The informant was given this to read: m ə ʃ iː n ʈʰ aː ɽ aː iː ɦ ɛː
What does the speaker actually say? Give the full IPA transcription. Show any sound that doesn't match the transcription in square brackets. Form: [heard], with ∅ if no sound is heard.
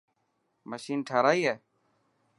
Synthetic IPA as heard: m ə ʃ iː n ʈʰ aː [ɾ] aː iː ɦ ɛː